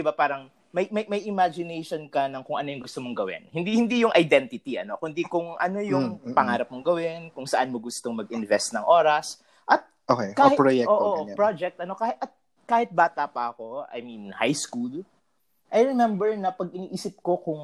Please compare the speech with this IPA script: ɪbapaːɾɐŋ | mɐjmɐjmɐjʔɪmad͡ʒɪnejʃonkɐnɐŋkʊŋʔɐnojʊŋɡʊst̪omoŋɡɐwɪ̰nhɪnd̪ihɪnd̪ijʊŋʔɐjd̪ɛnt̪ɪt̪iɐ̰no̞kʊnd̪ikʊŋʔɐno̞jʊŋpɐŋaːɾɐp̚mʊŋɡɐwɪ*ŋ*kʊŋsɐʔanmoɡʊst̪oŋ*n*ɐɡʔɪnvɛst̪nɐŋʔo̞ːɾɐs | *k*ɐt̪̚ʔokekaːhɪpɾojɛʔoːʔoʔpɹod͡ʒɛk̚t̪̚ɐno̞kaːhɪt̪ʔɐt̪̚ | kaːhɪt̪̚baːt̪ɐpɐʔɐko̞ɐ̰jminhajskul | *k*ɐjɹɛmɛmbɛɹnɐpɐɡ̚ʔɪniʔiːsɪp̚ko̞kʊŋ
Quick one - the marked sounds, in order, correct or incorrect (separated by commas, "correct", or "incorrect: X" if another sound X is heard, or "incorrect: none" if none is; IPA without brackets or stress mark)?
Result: incorrect: n, incorrect: m, incorrect: ʔ, incorrect: ʔ